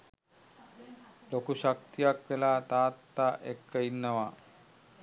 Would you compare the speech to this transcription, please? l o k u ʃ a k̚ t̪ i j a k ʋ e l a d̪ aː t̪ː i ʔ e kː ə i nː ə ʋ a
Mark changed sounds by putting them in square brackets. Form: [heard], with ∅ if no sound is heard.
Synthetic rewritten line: l o k u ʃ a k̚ t̪ i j a k ʋ e l a [t̪] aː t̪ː [a] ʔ e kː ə i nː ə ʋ a